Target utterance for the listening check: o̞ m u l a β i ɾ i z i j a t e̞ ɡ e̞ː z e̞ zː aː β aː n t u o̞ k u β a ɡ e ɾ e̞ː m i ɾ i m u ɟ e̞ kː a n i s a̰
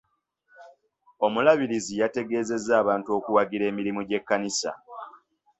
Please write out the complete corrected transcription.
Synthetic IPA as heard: o̞ m u l a β i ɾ i z i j a t e̞ ɡ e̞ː z e̞ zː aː β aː n t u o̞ k u w a ɡ i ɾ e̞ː m i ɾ i m u ɟ e̞ kː a n i s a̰